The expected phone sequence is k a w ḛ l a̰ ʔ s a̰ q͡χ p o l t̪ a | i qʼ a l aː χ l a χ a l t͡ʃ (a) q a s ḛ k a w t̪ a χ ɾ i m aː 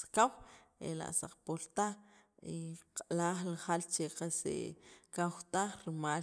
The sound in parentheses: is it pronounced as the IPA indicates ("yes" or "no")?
no